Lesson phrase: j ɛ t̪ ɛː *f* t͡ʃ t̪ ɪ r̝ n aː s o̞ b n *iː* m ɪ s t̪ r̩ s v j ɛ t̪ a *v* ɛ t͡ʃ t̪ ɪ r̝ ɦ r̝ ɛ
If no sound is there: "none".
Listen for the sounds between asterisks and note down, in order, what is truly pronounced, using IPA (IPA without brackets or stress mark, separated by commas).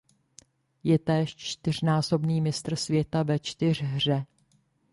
ʃ, iː, v